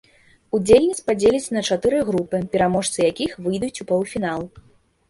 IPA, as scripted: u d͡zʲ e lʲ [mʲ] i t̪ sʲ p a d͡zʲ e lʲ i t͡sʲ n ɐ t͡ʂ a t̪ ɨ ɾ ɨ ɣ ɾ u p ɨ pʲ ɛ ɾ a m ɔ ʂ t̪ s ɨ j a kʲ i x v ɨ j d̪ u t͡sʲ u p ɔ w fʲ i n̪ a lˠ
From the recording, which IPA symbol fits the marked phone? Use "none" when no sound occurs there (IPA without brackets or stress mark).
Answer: nʲ